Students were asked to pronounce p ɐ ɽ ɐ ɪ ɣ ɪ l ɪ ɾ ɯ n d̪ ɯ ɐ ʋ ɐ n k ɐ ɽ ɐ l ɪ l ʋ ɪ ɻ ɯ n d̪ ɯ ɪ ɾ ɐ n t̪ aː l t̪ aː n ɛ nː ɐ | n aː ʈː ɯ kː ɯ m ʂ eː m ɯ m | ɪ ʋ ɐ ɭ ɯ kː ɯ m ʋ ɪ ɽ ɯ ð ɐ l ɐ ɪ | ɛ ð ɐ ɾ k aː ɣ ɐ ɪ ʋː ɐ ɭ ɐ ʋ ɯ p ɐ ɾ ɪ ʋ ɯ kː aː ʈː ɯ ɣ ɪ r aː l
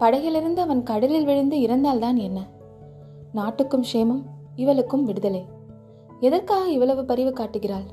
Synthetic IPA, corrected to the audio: p ɐ ɽ ɐ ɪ ɣ ɪ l ɪ ɾ ɯ n d̪ ɯ ɐ ʋ ɐ n k ɐ ɽ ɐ l ɪ l ʋ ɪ ɻ ɯ n d̪ ɯ ɪ ɾ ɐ n d̪ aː l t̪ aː n ɛ nː ɐ | n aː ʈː ɯ kː ɯ m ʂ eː m ɯ m | ɪ ʋ ɐ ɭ ɯ kː ɯ m ʋ ɪ ɽ ɯ ð ɐ l ɐ ɪ | ɛ ð ɐ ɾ k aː ɣ ɐ ɪ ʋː ɐ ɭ ɐ ʋ ɯ p ɐ ɾ ɪ ʋ ɯ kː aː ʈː ɯ ɣ ɪ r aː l